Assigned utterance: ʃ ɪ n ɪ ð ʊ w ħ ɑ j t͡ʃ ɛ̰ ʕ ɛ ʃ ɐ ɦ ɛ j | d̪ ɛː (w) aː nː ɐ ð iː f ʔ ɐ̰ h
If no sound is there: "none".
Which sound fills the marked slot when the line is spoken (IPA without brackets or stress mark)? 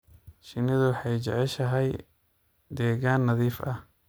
ɣ